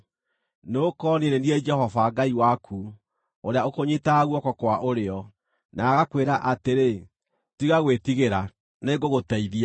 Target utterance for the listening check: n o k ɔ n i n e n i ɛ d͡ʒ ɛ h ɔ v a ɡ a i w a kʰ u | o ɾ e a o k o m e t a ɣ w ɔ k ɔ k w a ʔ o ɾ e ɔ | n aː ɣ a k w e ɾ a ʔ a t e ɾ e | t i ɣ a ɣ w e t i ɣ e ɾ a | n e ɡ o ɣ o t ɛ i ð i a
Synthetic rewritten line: n o k ɔ n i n e n i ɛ d͡ʒ ɛ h ɔ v a ɡ a i w a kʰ u | o ɾ e a o k o ɲ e t a ɣ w ɔ k ɔ k w a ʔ o ɾ e ɔ | n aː ɣ a k w e ɾ a ʔ a t e ɾ e | t i ɣ a ɣ w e t i ɣ e ɾ a | n e ɡ o ɣ o t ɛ i ð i a